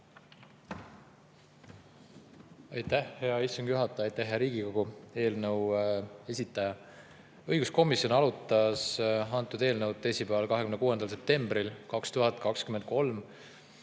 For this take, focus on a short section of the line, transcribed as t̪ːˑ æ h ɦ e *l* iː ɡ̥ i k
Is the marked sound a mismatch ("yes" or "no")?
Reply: yes